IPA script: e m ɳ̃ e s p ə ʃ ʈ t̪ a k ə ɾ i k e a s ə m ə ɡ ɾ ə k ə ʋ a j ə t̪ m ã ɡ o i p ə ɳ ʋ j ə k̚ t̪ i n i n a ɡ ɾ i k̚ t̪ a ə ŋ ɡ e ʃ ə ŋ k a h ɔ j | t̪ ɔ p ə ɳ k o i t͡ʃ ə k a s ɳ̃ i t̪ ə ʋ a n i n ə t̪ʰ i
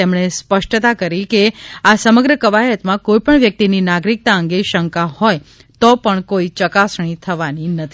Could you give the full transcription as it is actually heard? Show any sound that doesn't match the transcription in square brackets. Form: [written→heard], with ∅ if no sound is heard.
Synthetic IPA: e m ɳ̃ e s p ə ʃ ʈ t̪ a k ə ɾ i k e a s ə m ə ɡ ɾ ə k ə ʋ a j ə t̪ m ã [ɡ→k] o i p ə ɳ ʋ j ə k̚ t̪ i n i n a ɡ ɾ i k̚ t̪ a ə ŋ ɡ e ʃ ə ŋ k a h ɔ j | t̪ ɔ p ə ɳ k o i t͡ʃ ə k a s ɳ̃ i [t̪→t̪ʰ] ə ʋ a n i n ə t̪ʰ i